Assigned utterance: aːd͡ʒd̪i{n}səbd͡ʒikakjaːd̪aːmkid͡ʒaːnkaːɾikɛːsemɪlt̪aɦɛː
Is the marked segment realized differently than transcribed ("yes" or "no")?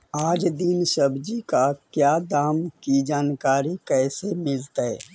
no